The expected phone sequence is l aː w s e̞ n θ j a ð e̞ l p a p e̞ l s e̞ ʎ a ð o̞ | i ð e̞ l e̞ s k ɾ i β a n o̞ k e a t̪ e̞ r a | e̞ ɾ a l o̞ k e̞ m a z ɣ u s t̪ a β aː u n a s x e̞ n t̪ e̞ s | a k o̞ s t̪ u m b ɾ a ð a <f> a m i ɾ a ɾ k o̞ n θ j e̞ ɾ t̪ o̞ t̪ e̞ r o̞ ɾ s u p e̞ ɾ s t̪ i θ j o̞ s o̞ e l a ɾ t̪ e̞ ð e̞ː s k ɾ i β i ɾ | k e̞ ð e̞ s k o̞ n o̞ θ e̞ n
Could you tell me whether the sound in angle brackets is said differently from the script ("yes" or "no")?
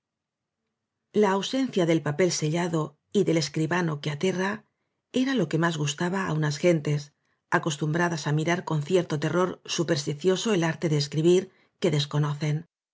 yes